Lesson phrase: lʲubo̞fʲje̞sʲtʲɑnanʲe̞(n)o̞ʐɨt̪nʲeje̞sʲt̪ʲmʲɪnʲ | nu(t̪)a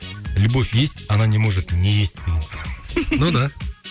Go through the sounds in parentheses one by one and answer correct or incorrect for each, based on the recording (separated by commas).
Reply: incorrect, incorrect